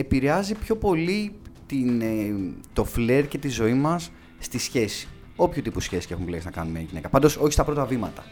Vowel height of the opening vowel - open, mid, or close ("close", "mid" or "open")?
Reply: mid